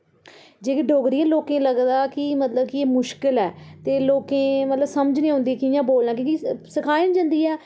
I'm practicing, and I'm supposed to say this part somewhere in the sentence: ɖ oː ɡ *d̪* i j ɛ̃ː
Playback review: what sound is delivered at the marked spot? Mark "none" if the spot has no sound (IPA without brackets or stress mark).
d̪